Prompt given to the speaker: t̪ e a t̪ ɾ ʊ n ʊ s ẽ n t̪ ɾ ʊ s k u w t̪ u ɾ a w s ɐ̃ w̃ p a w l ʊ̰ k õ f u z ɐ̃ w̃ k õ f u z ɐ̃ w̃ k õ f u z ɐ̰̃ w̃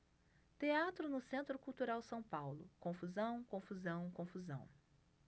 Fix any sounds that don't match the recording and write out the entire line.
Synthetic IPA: t̪ e a t̪ ɾ ʊ n ʊ s ẽ n t̪ ɾ ʊ k u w t̪ u ɾ a w s ɐ̃ w̃ p a w l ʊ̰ k õ f u z ɐ̃ w̃ k õ f u z ɐ̃ w̃ k õ f u z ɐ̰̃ w̃